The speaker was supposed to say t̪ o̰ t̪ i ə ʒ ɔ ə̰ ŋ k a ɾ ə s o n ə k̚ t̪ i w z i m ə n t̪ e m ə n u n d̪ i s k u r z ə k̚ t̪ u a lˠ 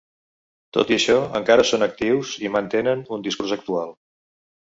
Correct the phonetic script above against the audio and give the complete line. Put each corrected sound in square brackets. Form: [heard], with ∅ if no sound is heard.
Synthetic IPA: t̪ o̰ t̪ i ə [ʃ] ɔ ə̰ ŋ k a ɾ ə s o n ə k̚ t̪ i w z i m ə n t̪ e [n] ə n u n d̪ i s k u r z ə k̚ t̪ u a lˠ